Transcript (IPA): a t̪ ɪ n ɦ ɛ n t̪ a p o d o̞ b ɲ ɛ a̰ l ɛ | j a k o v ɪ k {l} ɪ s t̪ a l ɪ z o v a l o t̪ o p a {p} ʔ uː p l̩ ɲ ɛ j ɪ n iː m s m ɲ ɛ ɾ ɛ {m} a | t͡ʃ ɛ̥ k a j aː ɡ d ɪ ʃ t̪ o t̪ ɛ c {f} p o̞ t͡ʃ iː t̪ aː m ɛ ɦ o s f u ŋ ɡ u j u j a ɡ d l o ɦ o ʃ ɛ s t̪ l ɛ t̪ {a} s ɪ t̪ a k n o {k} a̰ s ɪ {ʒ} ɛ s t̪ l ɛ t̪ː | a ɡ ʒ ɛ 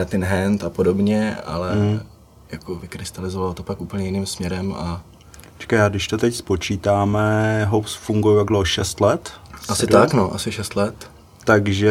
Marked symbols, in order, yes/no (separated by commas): no, no, yes, no, yes, no, no